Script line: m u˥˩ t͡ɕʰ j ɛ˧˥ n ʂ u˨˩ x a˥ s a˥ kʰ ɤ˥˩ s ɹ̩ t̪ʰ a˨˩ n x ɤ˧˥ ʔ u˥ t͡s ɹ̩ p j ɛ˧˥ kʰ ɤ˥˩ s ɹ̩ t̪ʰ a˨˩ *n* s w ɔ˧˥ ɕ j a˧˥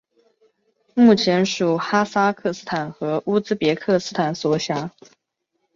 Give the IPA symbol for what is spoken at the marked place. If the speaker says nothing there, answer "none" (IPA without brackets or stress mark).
n